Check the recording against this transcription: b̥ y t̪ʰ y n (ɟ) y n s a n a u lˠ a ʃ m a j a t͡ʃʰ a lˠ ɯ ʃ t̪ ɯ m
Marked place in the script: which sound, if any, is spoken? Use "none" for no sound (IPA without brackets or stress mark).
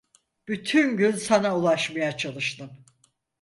ɟ